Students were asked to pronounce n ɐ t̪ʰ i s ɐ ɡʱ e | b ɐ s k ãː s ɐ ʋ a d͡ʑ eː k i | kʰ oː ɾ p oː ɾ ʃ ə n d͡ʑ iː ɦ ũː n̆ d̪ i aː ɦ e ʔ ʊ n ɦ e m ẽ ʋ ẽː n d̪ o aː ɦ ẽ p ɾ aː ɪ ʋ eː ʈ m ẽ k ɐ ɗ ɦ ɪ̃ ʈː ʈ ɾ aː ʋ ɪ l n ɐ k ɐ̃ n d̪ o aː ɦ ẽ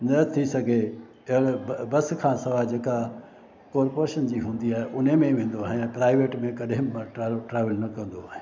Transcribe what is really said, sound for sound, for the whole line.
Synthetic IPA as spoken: n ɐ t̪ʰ i s ɐ ɡʱ e | b ɐ s kʰ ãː s ɐ ʋ a d͡ʑ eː k a | k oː ɾ p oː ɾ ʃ ə n d͡ʑ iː ɦ ũː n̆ d̪ i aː ɦ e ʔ ʊ n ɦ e m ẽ ʋ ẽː n d̪ o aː ɦ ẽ p ɾ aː ɪ ʋ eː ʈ m ẽ k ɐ ɗ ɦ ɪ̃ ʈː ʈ ɾ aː ʋ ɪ l n ɐ k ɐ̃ n d̪ o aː ɦ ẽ